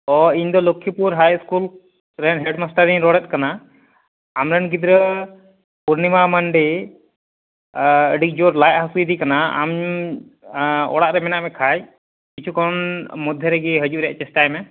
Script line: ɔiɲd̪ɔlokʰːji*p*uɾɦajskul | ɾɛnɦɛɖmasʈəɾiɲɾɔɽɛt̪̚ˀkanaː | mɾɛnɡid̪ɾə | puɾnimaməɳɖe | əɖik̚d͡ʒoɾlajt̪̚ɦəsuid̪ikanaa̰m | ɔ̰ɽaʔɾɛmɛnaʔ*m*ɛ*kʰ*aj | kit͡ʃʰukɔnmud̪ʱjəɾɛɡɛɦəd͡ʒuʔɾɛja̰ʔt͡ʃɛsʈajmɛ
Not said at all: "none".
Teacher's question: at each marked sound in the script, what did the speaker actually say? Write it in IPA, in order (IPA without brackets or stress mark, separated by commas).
p, m, kʰ